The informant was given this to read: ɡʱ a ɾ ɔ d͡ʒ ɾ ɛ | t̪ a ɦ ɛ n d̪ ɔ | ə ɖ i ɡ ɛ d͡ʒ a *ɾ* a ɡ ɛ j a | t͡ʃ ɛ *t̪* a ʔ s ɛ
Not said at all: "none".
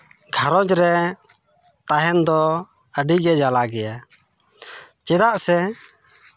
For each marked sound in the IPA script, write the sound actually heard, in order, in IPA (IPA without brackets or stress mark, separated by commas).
l, d̪